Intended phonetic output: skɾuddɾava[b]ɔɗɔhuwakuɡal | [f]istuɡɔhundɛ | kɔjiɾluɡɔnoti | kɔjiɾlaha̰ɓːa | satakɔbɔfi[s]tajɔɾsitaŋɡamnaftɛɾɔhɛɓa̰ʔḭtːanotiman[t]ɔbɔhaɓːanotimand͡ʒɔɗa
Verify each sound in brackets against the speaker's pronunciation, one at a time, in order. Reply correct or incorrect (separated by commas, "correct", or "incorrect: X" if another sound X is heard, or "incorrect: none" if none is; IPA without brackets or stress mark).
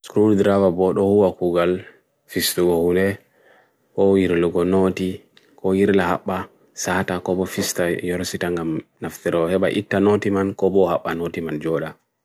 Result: correct, correct, correct, incorrect: k